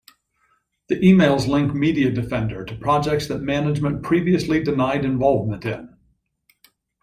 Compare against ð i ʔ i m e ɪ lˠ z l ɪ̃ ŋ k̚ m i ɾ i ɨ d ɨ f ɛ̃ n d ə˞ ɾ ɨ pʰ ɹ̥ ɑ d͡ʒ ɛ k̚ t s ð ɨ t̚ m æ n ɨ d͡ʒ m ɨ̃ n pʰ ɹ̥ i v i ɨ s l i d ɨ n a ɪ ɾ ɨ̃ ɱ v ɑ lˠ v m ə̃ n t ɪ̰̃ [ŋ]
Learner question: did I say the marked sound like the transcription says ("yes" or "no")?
no